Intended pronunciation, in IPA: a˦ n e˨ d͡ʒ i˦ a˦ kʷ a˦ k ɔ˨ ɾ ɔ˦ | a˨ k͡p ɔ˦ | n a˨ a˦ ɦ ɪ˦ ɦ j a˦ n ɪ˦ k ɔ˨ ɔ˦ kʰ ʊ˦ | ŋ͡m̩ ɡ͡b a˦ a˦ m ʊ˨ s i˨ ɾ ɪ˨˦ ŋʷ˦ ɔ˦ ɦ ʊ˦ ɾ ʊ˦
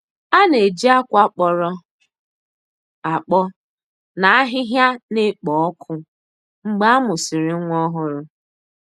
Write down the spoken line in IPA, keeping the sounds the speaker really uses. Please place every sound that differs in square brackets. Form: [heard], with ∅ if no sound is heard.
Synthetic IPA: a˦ n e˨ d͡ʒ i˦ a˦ kʷ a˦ [k͡p] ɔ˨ ɾ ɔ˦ | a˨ k͡p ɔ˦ | n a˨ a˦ ɦ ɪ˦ ɦ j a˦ n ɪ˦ [k͡p] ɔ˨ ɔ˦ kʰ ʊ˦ | ŋ͡m̩ ɡ͡b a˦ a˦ m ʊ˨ s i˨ ɾ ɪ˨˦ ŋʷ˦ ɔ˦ ɦ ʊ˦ ɾ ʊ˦